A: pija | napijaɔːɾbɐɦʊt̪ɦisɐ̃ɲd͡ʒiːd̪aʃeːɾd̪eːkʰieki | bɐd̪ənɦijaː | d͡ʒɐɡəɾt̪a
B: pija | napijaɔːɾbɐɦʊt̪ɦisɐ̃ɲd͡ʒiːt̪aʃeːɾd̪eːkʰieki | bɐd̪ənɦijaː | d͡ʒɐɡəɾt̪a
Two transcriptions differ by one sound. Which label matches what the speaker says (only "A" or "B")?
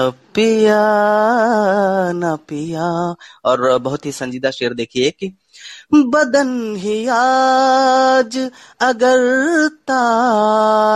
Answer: A